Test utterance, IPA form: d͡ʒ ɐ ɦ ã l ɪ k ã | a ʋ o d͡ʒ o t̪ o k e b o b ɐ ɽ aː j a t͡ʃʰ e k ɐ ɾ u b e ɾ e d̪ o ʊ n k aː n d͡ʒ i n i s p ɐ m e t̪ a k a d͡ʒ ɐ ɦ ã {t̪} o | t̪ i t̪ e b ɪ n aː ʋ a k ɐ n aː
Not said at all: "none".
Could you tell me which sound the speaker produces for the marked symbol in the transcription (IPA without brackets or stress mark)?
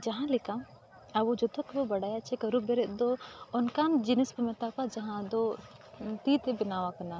d̪